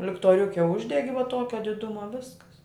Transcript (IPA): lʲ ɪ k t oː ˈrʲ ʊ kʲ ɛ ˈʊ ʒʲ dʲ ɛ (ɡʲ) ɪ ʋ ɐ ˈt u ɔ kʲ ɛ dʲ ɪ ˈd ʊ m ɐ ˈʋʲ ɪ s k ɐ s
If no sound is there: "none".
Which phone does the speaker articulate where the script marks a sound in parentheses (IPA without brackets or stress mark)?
ɡʲ